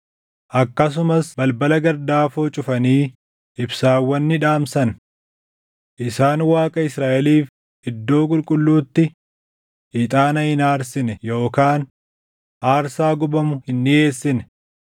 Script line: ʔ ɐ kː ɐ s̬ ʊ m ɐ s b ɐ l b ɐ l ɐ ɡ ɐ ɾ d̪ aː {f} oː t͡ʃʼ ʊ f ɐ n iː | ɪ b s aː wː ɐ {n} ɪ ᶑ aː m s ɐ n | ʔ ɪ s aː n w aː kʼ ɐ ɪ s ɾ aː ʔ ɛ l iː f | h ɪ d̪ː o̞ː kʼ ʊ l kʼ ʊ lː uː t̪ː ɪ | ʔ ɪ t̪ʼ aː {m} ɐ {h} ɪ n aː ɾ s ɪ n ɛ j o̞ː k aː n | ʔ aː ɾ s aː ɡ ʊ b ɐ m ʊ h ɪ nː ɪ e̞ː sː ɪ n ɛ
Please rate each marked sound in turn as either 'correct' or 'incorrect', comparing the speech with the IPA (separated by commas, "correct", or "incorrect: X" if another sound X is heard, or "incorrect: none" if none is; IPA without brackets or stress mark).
correct, incorrect: nː, incorrect: n, correct